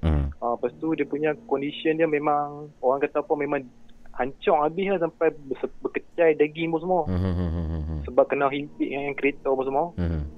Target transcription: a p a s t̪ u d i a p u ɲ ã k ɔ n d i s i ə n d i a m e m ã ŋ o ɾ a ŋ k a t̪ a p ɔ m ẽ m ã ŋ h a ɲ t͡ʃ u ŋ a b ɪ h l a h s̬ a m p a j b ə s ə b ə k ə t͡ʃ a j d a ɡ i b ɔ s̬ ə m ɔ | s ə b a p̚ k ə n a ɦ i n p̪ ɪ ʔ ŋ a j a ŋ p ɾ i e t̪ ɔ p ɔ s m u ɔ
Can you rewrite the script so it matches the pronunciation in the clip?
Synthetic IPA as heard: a p a s t̪ u d i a p u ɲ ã k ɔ n d i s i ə n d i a m e m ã ŋ o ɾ a ŋ k a t̪ a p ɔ m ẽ m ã ŋ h a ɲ t͡ʃ ɔ ŋ a b ɪ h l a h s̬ a m p a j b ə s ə b ə k ə t͡ʃ a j d a ɡ i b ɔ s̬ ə m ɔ | s ə b a p̚ k ə n a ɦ i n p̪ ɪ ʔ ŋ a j a ŋ k ɾ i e t̪ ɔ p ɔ s m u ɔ